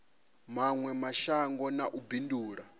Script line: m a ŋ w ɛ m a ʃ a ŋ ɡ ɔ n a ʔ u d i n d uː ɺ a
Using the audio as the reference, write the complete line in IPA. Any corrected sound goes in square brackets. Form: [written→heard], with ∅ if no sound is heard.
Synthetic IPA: m a ŋ w ɛ m a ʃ a ŋ ɡ ɔ n a ʔ u [d→b] i n d uː ɺ a

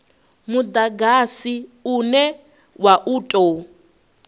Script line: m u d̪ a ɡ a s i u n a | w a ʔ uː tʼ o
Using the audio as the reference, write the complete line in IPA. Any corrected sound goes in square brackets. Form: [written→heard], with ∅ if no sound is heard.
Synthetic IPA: m u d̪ a ɡ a s i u n [a→ɛ] | w a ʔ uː tʼ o

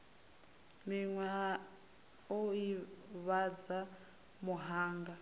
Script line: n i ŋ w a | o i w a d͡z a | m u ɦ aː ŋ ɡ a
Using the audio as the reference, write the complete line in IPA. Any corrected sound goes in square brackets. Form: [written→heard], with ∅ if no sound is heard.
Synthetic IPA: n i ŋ w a | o i [w→β] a d͡z a | m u ɦ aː ŋ ɡ a

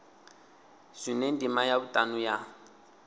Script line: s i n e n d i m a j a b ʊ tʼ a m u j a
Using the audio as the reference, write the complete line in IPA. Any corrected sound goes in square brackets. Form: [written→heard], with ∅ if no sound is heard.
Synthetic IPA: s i n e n d i m a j a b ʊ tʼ a [m→n] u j a

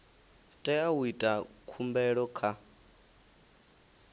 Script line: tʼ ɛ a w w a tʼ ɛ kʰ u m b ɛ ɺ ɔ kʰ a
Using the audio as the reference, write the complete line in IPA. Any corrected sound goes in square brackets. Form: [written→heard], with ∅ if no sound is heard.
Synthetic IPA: tʼ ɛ a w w [a→i] tʼ [ɛ→a] kʰ u m b ɛ ɺ ɔ kʰ a

